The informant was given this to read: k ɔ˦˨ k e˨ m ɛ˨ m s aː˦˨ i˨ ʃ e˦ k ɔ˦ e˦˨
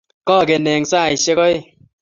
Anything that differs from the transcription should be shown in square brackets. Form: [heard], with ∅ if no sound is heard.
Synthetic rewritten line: k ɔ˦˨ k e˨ [n] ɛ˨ [ŋ] s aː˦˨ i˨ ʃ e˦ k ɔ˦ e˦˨